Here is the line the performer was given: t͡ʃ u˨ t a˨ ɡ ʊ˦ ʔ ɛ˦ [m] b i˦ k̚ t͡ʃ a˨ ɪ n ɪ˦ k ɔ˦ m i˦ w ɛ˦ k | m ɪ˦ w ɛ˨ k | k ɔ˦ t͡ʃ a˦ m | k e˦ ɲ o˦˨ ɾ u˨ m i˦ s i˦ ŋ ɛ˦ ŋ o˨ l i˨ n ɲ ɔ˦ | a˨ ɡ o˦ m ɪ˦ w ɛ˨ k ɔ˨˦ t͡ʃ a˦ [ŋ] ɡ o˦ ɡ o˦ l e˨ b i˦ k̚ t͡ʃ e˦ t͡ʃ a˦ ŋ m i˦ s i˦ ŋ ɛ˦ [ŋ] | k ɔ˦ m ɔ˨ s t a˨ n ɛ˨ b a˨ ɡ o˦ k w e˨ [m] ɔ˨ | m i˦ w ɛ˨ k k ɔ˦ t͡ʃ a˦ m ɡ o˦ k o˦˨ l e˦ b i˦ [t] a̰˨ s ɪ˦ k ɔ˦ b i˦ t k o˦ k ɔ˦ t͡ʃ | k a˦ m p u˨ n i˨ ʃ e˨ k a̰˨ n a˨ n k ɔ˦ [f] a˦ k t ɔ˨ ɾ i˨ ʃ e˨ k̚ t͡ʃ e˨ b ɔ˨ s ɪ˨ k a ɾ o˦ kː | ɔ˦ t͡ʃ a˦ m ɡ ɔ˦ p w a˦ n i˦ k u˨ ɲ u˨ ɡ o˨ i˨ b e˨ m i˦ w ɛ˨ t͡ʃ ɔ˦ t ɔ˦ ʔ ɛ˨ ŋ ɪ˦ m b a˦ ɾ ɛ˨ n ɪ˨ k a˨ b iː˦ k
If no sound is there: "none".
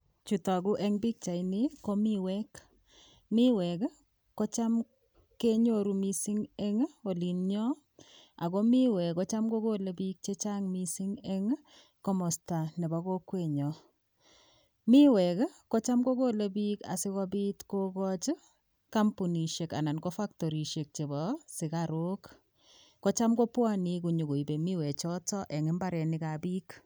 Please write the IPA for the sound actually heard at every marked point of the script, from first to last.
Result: ŋ, m, ŋ, ɲ, k, f

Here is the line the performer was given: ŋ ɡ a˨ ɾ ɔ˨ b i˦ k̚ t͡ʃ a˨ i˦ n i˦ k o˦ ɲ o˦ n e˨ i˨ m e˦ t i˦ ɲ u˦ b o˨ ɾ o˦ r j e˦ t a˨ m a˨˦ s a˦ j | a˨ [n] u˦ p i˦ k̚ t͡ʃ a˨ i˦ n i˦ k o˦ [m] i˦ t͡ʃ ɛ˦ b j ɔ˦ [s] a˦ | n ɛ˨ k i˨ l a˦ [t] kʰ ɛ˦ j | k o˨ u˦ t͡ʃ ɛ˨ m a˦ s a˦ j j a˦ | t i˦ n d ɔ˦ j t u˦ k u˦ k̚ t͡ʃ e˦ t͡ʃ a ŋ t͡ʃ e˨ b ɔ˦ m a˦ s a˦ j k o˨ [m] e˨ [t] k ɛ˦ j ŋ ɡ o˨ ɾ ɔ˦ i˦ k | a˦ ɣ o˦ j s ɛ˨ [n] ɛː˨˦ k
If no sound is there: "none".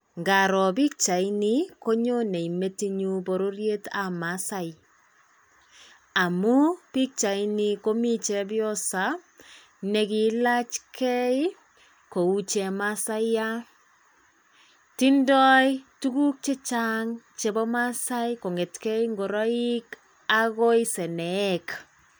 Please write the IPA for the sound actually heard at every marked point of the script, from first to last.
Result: m, m, s, t͡ʃ, ŋ, t, n

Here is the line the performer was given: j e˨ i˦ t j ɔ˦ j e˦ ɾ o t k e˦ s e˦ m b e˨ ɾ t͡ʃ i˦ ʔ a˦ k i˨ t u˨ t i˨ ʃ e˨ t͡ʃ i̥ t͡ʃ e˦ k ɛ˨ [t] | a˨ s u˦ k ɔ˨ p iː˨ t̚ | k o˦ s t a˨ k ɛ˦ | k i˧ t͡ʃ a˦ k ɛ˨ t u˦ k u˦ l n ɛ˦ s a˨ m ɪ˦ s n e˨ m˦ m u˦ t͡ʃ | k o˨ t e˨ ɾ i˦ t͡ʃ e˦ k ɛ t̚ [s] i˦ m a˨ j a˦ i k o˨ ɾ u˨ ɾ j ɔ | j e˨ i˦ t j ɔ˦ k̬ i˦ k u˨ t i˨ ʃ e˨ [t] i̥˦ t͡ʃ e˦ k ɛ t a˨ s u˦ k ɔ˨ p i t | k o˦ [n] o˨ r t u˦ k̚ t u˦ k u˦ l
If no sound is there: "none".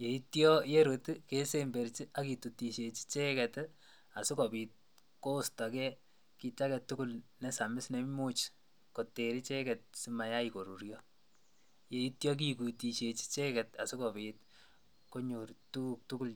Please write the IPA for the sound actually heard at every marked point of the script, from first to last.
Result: t, s, t͡ʃ, ɲ

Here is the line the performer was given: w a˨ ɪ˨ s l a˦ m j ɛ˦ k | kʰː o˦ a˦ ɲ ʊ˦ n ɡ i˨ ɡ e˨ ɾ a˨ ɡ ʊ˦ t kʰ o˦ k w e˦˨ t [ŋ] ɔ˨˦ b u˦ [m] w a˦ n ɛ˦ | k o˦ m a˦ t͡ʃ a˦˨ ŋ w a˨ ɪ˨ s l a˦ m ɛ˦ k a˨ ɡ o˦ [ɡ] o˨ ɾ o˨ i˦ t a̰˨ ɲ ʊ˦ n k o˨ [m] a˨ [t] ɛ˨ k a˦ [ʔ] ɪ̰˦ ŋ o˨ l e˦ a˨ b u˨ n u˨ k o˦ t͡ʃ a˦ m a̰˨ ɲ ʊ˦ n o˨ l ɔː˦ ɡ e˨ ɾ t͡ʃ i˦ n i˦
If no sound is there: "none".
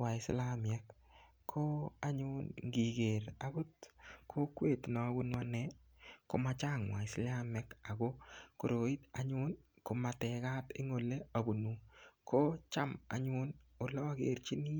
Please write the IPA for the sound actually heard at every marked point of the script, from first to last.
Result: n, n, k, m, t, t

